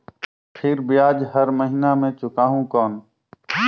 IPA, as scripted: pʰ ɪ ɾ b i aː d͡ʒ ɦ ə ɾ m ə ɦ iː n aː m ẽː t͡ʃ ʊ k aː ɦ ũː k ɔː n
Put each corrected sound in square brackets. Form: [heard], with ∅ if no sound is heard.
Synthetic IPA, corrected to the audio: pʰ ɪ ɾ b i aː d͡ʒ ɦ ə ɾ m ə ɦ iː n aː m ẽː t͡ʃ ʊ k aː ɦ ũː k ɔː n